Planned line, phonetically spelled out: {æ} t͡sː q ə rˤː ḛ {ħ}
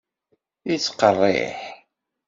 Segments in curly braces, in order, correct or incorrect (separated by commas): incorrect, correct